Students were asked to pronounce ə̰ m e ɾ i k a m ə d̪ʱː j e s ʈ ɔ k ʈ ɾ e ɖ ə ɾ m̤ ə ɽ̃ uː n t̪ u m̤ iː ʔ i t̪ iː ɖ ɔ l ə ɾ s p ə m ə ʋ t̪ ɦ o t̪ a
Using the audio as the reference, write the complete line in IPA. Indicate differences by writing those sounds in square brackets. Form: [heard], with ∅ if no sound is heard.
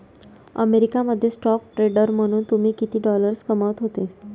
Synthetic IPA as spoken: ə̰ m e ɾ i k a m ə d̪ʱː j e s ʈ ɔ k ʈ ɾ e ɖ ə ɾ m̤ ə ɽ̃ uː n t̪ u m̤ iː [k] i t̪ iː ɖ ɔ l ə ɾ s [k] ə m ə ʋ t̪ ɦ o t̪ [e]